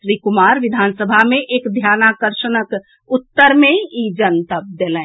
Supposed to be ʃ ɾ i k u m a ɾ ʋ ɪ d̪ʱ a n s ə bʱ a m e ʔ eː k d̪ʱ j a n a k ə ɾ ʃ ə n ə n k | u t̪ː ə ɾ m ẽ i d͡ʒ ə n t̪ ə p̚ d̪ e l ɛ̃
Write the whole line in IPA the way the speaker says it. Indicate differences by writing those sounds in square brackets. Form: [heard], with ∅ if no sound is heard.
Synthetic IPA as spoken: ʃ ɾ i k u m a ɾ ʋ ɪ d̪ʱ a n s ə bʱ a m e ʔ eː k d̪ʱ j a n a k ə ɾ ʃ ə n ə [∅] k | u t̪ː ə ɾ m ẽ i d͡ʒ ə n t̪ ə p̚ d̪ e l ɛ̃